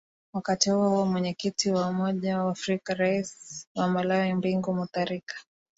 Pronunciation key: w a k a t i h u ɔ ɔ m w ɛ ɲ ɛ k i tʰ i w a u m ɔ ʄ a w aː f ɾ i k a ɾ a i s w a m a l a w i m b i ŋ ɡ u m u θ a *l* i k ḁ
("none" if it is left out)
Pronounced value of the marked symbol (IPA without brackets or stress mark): ɾ